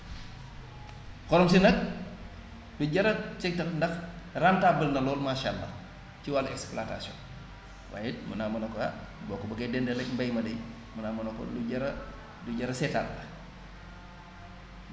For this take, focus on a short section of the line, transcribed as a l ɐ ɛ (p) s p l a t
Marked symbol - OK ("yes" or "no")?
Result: no